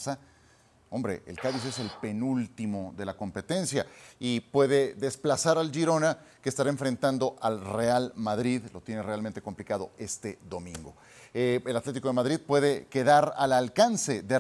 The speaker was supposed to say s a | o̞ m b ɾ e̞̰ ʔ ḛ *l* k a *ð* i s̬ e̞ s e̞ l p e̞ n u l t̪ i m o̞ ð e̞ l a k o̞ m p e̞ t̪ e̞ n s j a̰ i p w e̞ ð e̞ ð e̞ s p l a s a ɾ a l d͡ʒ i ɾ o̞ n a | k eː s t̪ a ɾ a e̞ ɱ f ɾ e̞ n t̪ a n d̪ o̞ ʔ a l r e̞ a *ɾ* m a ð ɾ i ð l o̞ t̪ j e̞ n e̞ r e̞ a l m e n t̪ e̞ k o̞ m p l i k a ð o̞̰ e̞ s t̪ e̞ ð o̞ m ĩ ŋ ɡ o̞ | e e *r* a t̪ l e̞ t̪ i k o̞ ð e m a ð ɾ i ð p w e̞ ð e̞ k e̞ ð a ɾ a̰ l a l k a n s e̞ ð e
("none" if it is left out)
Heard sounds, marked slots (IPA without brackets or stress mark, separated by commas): l, ð, l, l